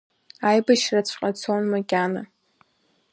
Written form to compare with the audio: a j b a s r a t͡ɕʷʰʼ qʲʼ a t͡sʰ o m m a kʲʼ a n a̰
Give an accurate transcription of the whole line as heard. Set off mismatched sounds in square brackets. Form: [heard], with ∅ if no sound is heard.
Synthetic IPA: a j b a [ʃ] r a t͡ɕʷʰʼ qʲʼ a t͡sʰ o [n] m a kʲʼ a n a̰